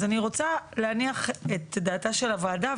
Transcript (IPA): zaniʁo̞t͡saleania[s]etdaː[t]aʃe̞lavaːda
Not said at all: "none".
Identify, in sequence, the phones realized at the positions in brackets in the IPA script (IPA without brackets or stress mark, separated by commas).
χ, t